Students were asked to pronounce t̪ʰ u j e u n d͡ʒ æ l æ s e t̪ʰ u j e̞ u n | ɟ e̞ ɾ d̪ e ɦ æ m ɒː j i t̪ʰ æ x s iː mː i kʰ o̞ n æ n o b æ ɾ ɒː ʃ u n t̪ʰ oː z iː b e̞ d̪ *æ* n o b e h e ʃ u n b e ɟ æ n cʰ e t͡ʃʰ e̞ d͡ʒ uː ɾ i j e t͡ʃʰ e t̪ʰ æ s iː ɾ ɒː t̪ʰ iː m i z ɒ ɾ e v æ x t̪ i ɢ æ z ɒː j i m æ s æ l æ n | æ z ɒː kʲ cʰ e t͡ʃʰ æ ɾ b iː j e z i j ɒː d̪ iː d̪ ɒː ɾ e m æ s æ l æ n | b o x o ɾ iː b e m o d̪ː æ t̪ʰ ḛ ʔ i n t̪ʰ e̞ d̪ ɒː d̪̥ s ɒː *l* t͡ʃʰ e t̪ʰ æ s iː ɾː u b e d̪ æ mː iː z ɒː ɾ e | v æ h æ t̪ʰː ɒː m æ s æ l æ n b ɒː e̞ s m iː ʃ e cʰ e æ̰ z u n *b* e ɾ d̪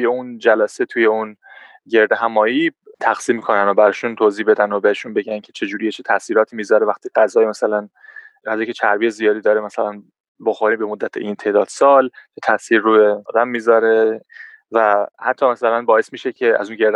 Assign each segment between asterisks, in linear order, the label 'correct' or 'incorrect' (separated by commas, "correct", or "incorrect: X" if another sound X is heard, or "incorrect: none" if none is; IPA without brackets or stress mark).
correct, correct, incorrect: ɟ